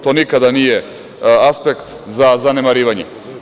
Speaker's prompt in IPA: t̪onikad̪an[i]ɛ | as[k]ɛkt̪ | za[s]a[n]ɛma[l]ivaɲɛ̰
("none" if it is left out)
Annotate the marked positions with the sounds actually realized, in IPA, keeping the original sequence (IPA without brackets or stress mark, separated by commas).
i, p, z, n, ɾ